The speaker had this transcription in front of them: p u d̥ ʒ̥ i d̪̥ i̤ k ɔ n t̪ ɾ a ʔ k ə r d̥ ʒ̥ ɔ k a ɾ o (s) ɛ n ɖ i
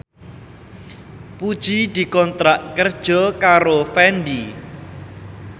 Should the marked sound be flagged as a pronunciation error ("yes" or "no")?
yes